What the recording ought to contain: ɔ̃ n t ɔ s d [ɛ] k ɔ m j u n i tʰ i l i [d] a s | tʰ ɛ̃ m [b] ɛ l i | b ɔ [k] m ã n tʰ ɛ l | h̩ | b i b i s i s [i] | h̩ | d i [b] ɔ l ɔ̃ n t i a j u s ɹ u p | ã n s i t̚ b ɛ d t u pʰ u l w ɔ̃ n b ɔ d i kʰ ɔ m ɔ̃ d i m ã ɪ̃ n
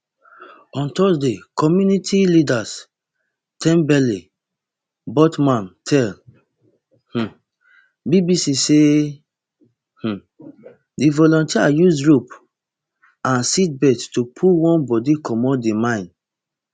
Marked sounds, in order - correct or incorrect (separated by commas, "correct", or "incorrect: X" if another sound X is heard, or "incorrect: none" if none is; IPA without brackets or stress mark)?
incorrect: e, correct, correct, incorrect: t, incorrect: e, incorrect: v